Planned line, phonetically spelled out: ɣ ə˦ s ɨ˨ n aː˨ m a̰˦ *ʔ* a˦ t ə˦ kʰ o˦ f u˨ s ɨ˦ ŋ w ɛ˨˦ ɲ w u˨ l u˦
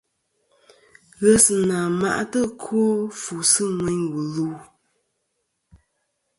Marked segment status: correct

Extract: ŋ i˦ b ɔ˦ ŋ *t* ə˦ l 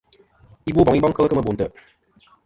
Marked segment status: incorrect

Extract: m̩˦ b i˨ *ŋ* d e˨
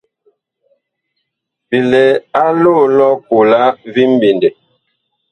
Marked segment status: incorrect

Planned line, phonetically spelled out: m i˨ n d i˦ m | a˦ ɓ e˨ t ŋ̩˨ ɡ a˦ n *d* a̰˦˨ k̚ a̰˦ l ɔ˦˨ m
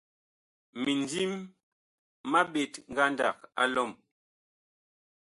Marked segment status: correct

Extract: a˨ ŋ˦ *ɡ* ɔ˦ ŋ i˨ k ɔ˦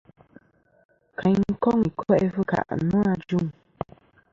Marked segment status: incorrect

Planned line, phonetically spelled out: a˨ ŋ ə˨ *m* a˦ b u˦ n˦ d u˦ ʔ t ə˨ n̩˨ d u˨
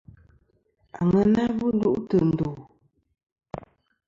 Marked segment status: incorrect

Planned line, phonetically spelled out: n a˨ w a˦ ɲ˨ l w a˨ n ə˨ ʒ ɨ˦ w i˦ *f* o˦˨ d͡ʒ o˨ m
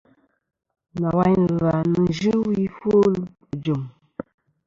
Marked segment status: correct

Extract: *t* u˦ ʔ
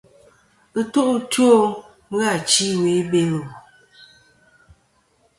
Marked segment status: correct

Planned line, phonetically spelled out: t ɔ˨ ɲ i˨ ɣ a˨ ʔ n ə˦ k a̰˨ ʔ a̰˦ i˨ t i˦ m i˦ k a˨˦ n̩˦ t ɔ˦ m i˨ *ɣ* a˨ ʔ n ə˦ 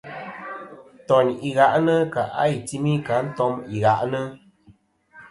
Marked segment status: correct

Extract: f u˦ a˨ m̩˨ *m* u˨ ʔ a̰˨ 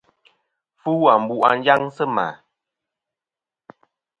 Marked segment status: incorrect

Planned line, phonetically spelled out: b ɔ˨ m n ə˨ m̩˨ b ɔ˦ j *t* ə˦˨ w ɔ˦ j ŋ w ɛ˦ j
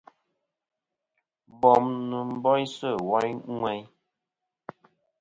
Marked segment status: incorrect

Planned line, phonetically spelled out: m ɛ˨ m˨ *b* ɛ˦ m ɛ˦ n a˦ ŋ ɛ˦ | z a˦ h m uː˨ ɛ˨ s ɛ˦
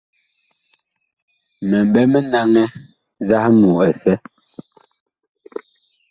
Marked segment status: correct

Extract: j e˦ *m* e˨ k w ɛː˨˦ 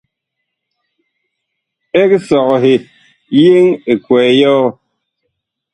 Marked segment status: incorrect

